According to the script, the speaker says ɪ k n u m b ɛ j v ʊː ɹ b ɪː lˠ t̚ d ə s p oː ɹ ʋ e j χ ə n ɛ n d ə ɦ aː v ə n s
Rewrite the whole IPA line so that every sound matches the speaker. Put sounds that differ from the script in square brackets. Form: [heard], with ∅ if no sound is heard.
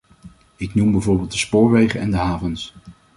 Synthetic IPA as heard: ɪ k n u m b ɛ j v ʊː ɹ b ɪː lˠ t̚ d ə s p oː ɹ ʋ e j χ ə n ɛ n d ə ɦ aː v ə n s